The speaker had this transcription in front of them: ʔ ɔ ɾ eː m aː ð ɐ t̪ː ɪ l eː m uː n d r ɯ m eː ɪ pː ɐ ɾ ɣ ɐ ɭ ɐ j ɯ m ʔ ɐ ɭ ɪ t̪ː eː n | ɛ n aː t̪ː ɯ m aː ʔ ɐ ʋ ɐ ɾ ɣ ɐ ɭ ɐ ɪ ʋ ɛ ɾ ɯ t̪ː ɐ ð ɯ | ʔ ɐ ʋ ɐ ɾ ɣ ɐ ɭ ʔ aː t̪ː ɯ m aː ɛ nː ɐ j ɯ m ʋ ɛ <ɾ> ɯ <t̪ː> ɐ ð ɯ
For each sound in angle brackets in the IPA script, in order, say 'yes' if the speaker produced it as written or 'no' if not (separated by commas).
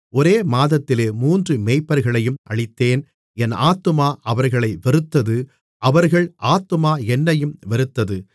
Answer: yes, yes